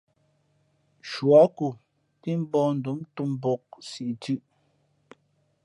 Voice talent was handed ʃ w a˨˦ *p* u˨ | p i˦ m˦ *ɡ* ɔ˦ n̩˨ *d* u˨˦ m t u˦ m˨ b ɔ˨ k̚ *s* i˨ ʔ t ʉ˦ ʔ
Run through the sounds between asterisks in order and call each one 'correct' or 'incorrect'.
incorrect, incorrect, correct, correct

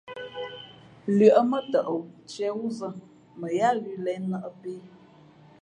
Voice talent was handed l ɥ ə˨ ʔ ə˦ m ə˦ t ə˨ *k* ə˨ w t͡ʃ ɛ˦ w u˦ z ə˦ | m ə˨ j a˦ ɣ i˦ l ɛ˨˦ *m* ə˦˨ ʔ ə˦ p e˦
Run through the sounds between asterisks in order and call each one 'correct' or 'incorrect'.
incorrect, incorrect

